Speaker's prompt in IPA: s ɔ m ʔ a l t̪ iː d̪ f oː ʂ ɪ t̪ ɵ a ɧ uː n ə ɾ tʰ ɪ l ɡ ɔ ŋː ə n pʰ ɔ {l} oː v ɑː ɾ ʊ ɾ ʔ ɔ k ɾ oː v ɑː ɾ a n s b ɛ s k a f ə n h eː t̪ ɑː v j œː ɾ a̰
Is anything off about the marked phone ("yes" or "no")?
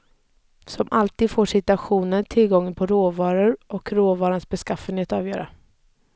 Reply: yes